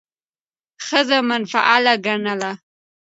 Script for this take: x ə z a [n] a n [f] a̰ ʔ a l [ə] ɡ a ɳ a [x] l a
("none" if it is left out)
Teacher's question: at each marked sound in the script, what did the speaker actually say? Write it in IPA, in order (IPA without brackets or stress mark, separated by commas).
m, f, a, none